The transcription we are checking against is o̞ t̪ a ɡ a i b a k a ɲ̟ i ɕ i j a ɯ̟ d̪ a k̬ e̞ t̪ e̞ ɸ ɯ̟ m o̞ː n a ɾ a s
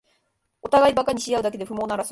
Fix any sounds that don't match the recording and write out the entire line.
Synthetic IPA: o̞ t̪ a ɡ a i b a k a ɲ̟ i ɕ i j a ɯ̟ d̪ a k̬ e̞ d̪ e̞ ɸ ɯ̟ m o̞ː n a ɾ a s